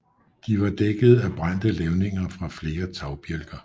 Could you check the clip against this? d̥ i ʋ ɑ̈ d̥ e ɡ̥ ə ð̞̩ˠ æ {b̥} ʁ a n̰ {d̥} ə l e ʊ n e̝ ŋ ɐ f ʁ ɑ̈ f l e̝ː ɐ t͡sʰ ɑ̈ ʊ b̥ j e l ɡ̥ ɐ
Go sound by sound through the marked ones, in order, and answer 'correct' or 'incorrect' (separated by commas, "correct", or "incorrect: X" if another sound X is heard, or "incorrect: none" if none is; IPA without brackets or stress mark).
correct, correct